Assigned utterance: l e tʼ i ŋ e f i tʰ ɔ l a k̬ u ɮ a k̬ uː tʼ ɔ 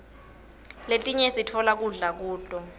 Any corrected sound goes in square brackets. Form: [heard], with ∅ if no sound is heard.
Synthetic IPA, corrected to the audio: l e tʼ i [ɲ] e [s] i tʰ ɔ l a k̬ u ɮ a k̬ uː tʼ ɔ